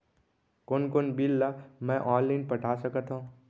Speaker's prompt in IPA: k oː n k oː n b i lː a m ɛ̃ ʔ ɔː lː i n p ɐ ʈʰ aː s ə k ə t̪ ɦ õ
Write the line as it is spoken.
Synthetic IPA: k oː n k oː n b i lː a m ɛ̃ ʔ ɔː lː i n p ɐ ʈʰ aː s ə k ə t̪ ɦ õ